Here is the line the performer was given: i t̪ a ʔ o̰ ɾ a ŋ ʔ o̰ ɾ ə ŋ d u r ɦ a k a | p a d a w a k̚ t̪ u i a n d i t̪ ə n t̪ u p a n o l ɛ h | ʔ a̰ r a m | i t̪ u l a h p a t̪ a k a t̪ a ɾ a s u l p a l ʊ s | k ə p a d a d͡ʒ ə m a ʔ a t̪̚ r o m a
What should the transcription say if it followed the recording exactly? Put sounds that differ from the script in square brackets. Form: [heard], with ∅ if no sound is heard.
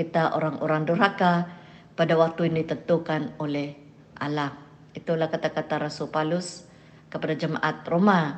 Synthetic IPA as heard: i t̪ a ʔ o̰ ɾ a ŋ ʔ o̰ ɾ [a] ŋ d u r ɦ a k a | p a d a w a k̚ t̪ u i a n d i t̪ ə n t̪ u [k] a n o l ɛ h | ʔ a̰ [l] a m | i t̪ u l a h [k] a t̪ a k a t̪ a ɾ a s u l p a l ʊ s | k ə p a d a d͡ʒ ə m a ʔ a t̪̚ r o m a